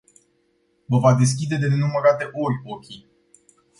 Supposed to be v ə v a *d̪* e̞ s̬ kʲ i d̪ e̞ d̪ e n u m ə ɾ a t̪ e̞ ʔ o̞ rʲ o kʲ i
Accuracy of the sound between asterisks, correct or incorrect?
correct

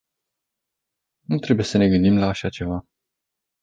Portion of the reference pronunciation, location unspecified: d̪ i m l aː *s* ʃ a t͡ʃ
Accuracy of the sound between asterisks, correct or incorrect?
incorrect: none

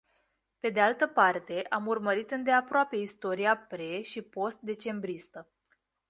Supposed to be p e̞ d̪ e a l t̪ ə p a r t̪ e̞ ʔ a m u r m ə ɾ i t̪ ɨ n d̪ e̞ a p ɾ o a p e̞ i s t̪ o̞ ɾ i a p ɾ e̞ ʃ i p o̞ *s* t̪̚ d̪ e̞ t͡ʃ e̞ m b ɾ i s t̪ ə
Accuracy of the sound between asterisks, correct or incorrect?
correct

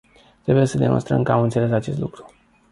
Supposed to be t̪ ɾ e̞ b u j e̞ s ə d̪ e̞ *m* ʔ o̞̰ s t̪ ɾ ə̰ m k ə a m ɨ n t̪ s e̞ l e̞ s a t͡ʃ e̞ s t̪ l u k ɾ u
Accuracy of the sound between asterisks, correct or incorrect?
correct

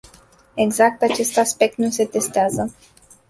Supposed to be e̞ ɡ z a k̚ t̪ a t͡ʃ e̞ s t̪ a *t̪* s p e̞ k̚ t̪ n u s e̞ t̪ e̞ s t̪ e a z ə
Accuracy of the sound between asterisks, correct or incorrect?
incorrect: none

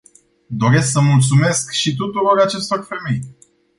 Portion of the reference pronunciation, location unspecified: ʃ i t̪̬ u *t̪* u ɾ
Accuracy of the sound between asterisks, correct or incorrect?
correct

